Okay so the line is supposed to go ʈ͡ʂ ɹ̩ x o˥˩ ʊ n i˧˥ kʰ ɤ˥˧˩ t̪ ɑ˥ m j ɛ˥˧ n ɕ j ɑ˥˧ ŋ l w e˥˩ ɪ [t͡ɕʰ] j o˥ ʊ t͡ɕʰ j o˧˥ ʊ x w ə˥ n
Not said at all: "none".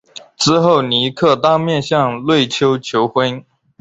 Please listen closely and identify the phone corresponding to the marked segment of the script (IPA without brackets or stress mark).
t͡ɕʰ